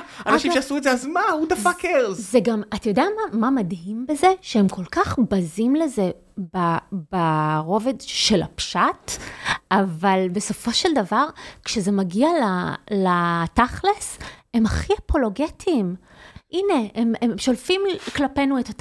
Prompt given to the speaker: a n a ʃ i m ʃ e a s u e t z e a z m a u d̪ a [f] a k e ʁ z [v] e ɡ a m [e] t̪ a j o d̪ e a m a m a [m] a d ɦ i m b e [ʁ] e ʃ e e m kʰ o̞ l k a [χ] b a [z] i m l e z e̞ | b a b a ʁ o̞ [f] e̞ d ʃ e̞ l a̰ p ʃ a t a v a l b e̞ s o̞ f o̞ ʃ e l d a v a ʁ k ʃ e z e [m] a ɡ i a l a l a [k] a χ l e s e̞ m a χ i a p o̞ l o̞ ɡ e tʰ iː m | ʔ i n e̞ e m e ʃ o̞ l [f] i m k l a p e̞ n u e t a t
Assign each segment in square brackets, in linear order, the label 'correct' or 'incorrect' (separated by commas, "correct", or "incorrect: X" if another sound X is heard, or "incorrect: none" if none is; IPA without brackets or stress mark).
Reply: correct, incorrect: z, incorrect: a, correct, incorrect: z, correct, correct, incorrect: v, correct, incorrect: t, correct